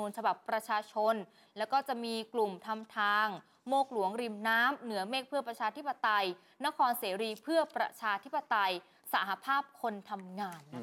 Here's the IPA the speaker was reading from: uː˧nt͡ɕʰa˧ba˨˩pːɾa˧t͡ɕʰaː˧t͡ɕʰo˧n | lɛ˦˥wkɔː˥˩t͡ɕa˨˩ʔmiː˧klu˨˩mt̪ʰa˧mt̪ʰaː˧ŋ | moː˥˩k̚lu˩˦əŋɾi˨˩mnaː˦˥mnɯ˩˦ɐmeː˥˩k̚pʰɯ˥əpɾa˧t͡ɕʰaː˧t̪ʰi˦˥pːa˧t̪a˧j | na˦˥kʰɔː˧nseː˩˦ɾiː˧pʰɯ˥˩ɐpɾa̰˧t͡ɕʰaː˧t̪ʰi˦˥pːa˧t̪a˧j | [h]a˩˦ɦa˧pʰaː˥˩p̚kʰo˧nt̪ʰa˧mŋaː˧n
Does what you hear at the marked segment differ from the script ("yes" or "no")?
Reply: yes